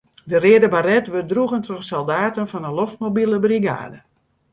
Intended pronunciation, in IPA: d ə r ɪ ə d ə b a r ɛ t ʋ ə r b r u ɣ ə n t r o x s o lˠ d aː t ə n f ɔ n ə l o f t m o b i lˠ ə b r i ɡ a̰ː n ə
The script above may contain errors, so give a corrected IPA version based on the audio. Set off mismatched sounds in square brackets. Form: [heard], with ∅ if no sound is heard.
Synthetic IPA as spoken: d ə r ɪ ə d ə b a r ɛ t ʋ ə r [d] r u ɣ ə n t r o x s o lˠ d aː t ə n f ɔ n ə l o f t m o b i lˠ ə b r i ɡ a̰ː [d] ə